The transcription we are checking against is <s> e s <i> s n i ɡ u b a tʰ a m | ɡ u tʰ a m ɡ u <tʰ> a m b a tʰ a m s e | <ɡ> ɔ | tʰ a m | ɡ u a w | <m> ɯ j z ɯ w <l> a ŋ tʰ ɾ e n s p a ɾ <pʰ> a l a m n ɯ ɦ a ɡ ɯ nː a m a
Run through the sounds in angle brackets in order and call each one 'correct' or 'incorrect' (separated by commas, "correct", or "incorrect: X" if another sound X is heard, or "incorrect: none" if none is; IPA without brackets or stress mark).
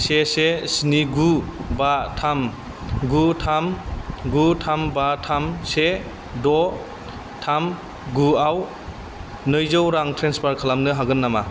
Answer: correct, incorrect: e, correct, incorrect: d, incorrect: n, incorrect: ɾ, incorrect: kʰ